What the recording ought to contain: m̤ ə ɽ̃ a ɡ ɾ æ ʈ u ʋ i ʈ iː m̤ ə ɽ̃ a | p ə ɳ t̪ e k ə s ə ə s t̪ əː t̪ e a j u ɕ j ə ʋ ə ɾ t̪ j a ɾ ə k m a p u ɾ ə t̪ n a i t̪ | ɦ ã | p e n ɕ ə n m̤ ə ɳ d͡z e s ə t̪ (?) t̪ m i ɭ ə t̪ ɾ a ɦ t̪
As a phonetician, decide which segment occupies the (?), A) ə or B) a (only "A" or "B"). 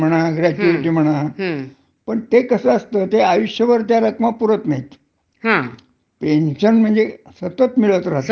A